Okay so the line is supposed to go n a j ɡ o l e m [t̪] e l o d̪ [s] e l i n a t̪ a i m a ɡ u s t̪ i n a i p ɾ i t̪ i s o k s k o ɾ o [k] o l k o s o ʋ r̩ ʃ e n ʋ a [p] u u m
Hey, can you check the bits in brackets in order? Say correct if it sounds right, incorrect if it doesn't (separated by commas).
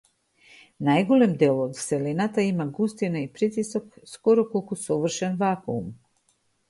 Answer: incorrect, correct, correct, incorrect